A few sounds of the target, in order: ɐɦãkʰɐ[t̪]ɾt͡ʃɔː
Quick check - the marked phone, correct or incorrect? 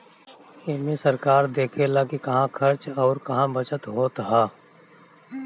incorrect